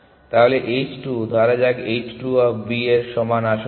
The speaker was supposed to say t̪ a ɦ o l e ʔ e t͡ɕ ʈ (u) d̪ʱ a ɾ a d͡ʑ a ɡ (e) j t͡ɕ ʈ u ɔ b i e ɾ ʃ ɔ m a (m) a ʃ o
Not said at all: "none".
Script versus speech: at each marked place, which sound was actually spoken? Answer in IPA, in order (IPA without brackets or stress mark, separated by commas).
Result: u, e, n